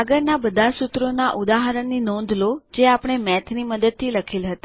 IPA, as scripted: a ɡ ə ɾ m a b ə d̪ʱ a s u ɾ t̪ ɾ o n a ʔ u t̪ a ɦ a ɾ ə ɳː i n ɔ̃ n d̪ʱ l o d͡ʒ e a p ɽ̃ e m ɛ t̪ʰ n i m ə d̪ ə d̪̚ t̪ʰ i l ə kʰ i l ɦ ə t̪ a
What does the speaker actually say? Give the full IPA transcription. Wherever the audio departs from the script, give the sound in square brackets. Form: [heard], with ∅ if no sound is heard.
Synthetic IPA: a ɡ ə ɾ [n] a b ə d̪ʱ a s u [∅] t̪ ɾ o n a ʔ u [d̪] a ɦ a ɾ ə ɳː i n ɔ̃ n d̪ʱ l o d͡ʒ e a p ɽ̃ e m ɛ t̪ʰ n i m ə d̪ ə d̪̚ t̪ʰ i l ə kʰ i l ɦ ə t̪ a